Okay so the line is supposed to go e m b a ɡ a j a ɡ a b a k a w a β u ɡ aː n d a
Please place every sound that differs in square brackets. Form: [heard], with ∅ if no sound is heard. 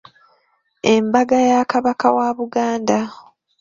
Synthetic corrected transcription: e m b a ɡ a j a [k] a [β] a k a w a β u ɡ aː n d a